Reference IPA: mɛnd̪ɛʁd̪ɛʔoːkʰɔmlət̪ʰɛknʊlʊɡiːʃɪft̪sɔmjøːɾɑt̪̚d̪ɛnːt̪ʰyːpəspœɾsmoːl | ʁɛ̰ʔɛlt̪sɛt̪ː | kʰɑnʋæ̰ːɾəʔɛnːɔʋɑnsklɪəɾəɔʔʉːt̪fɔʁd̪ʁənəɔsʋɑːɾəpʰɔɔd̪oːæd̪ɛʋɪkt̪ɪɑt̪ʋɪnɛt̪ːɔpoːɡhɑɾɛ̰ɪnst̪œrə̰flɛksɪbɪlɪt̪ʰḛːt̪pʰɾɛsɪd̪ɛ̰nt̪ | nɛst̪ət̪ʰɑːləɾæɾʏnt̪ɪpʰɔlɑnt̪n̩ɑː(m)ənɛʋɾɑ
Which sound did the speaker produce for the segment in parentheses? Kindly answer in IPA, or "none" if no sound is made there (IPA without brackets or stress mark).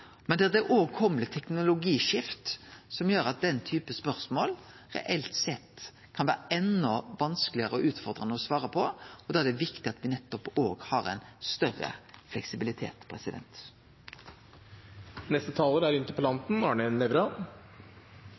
ɳ